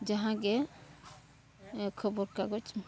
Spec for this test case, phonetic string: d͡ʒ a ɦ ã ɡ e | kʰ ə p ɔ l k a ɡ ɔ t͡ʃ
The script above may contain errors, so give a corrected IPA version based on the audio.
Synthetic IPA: d͡ʒ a ɦ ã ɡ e | kʰ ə b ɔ ɾ k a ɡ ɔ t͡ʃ